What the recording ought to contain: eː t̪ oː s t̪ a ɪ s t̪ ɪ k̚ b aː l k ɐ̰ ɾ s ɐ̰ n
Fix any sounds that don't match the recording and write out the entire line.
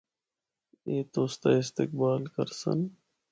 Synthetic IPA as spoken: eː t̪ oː s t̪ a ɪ s t̪ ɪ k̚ b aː l k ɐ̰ ɾ s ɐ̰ n